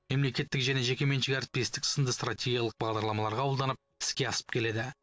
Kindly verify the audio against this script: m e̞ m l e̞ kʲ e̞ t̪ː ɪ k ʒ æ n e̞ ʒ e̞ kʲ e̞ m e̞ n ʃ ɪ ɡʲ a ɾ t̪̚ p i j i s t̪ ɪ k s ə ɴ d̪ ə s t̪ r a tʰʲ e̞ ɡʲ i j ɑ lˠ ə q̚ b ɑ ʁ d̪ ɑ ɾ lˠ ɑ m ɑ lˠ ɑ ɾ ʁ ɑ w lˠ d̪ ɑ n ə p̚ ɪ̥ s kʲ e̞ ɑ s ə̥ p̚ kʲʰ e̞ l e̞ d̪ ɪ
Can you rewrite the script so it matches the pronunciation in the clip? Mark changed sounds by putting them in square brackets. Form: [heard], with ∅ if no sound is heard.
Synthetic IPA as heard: m e̞ m l e̞ kʲ e̞ t̪ː ɪ k ʒ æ n e̞ ʒ e̞ kʲ e̞ m e̞ n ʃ ɪ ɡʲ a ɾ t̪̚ p i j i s t̪ ɪ k s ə [n] d̪ ə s t̪ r a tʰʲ e̞ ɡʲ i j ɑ lˠ ə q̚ b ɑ ʁ d̪ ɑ ɾ lˠ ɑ m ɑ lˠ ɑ ɾ ʁ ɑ w lˠ d̪ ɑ n ə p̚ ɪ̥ s kʲ e̞ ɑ s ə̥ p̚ kʲʰ e̞ l e̞ d̪ ɪ